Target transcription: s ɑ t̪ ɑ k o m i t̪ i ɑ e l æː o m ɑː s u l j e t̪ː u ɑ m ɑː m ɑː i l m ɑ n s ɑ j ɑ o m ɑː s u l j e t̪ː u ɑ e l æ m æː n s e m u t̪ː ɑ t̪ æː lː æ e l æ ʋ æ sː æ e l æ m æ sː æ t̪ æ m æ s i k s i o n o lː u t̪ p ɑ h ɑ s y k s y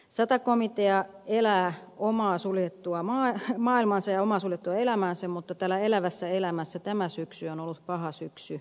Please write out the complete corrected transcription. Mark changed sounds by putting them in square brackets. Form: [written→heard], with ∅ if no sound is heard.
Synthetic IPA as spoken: s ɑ t̪ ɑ k o m i t̪ [i→e] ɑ e l æː o m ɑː s u l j e t̪ː u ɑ m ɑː m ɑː i l m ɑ n s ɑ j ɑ o m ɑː s u l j e t̪ː u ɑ e l æ m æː n s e m u t̪ː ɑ t̪ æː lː æ e l æ ʋ æ sː æ e l æ m æ sː æ t̪ æ m æ s [i→y] k s [i→y] o n o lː u t̪ p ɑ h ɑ s y k s y